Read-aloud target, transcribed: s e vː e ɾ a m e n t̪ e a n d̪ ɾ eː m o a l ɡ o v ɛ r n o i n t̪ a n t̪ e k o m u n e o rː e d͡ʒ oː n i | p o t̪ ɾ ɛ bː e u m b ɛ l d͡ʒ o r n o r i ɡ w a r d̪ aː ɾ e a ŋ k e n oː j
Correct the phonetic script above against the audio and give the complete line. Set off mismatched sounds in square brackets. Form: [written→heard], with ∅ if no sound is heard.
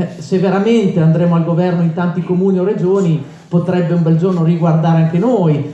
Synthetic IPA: s e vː e ɾ a m e n t̪ e a n d̪ ɾ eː m o a l ɡ o v ɛ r n o i n t̪ a n t̪ [e→i] k o m [u→uː] n [e→i] o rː e d͡ʒ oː n i | p o t̪ ɾ ɛ bː e u m b ɛ l d͡ʒ o r n o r i ɡ w a r d̪ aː ɾ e a ŋ k e n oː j